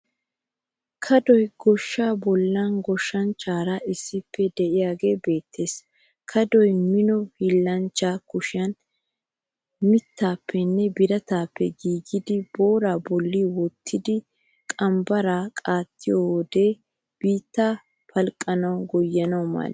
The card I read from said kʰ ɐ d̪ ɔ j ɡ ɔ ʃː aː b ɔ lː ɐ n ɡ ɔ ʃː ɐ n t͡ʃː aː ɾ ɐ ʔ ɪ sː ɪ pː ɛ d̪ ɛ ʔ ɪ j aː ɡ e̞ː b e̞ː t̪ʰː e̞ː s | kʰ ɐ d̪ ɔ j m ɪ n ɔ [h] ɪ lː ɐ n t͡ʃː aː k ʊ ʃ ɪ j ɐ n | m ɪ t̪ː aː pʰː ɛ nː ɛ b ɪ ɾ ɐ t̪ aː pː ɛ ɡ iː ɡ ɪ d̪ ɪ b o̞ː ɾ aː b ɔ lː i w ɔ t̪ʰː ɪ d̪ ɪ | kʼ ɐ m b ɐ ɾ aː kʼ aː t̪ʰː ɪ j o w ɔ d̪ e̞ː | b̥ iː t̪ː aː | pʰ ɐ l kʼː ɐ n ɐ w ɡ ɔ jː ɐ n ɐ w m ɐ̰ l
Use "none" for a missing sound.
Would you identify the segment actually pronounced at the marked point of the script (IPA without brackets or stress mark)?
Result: h